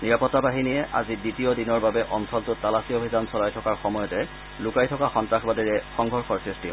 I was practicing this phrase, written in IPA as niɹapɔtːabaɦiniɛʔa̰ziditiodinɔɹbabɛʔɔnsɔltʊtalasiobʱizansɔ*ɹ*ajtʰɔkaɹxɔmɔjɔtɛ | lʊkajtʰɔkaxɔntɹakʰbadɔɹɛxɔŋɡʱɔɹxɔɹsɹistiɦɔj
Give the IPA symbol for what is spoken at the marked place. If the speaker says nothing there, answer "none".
l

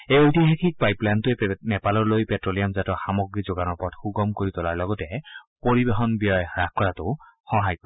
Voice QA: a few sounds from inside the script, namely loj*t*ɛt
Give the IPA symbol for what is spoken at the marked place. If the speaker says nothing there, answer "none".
p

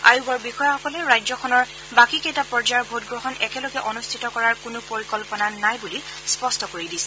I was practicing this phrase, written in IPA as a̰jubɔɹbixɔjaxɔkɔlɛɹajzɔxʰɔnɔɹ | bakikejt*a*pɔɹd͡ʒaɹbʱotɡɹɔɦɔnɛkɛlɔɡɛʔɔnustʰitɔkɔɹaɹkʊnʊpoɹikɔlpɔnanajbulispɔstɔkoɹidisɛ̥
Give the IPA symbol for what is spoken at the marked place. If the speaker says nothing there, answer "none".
a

